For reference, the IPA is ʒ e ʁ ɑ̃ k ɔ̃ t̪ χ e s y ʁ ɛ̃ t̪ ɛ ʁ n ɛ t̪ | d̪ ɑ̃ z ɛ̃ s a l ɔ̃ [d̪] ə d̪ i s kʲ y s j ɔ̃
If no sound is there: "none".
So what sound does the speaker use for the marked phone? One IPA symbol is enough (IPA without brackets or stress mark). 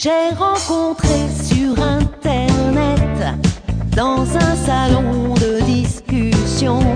d̪